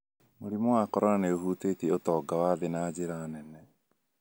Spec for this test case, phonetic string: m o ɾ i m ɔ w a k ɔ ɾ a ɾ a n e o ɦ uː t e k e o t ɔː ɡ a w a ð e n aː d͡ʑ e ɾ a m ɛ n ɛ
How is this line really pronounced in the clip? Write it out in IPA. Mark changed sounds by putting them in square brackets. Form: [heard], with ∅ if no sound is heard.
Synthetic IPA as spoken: m o ɾ i m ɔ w a k ɔ ɾ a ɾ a n e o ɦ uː t e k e o t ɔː ɡ a w a ð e n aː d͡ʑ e ɾ a [n] ɛ n ɛ